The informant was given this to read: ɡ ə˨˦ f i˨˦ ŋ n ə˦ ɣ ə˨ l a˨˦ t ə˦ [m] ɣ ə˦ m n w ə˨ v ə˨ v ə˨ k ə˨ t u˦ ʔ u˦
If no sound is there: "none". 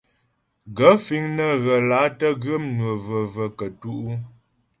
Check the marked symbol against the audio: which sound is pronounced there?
none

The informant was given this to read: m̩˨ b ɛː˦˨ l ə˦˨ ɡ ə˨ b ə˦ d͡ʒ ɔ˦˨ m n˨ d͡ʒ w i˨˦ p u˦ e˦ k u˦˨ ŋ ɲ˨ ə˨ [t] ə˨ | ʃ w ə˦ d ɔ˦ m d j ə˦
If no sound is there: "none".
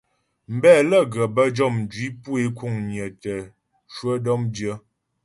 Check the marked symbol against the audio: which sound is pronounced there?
t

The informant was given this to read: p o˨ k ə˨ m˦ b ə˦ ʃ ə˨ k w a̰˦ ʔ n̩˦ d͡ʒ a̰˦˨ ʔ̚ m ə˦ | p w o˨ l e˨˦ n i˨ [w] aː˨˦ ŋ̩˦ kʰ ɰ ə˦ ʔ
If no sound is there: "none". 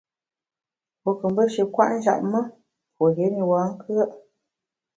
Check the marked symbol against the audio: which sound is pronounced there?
w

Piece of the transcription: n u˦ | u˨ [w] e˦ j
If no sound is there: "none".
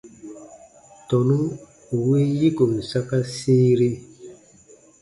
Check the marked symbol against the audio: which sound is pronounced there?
w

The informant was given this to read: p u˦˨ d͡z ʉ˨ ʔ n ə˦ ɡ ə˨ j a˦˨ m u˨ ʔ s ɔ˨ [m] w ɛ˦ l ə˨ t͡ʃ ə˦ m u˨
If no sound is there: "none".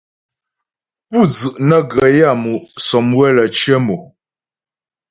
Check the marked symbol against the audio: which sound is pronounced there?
m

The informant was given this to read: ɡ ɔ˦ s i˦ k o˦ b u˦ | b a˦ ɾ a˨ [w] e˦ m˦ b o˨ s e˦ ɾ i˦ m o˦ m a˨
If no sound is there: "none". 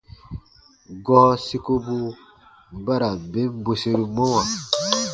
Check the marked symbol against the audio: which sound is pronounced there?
b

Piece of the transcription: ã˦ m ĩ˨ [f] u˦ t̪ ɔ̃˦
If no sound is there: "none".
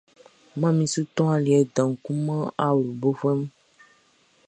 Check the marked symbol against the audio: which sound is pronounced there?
s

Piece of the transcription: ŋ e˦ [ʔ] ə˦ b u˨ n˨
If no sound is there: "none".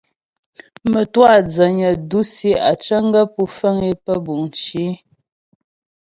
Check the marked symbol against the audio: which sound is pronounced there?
p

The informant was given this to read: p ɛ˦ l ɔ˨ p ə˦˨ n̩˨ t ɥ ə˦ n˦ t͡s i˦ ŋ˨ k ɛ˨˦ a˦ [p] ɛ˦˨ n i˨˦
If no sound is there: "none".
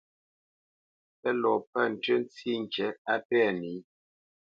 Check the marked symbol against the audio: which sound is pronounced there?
p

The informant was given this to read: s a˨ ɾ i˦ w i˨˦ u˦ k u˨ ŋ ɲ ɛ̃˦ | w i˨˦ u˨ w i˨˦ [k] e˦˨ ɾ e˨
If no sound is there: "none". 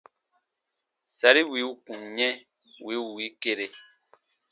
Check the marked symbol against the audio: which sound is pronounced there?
k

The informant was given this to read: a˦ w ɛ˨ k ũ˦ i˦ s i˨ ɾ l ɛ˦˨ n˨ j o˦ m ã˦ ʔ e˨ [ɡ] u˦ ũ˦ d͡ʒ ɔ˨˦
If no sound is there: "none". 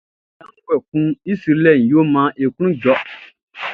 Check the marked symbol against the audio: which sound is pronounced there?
k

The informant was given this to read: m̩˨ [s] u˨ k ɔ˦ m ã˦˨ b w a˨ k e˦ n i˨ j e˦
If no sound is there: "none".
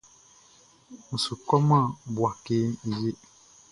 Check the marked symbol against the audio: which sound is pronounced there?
s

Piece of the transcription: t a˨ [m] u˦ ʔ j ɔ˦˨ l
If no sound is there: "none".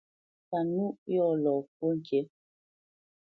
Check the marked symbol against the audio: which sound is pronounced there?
n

